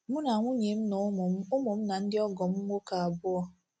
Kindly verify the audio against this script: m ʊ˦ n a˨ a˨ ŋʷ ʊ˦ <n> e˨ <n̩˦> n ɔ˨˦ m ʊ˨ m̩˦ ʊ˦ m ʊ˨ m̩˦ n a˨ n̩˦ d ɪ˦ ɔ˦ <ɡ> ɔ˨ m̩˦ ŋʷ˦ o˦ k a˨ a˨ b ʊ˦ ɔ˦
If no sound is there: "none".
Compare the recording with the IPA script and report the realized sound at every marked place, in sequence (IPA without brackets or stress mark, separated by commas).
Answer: ɲ, m̩˦, ɡ